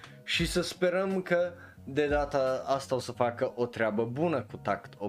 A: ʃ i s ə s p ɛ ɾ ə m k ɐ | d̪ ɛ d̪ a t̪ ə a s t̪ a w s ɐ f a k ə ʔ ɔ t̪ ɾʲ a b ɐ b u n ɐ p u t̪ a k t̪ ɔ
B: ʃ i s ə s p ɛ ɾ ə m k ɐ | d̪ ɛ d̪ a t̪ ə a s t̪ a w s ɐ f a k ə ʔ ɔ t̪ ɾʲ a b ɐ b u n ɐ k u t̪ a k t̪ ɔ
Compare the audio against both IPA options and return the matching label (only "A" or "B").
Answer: B